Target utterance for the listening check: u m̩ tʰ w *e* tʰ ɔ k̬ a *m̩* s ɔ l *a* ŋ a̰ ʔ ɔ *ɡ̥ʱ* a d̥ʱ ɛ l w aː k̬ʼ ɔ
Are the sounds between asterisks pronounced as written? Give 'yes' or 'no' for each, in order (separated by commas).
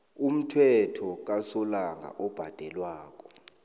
no, no, yes, no